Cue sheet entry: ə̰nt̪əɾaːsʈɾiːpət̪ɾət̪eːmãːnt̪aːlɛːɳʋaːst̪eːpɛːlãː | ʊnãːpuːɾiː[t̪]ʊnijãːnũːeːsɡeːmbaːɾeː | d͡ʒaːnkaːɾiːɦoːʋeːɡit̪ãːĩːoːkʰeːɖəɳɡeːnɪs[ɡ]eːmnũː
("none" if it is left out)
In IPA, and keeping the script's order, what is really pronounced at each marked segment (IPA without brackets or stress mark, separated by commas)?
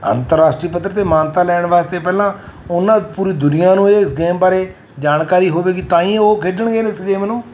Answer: d̪, ɡ